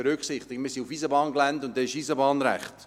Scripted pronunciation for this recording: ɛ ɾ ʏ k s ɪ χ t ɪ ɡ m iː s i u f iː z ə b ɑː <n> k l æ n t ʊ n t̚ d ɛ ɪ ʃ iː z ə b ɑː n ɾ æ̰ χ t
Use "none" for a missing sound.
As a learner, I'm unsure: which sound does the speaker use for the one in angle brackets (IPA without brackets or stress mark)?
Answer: n